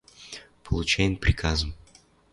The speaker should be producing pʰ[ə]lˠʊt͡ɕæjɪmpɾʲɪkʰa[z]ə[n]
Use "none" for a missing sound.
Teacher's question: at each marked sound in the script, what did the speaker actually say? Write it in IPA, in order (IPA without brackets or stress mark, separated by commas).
ə, z, m